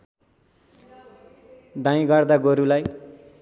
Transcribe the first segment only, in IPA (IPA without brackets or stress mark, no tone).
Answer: d̪